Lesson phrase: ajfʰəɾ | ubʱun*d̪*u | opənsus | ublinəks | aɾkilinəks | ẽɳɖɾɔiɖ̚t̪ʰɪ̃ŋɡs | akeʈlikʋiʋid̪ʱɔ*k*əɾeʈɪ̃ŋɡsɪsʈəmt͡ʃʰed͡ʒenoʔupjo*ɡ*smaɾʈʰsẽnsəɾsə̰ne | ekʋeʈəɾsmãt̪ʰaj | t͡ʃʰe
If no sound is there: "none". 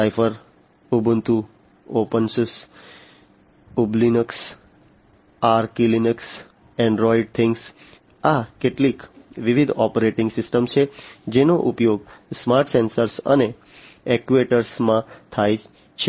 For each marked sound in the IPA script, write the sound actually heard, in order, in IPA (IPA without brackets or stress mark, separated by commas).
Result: t̪, p, ɡ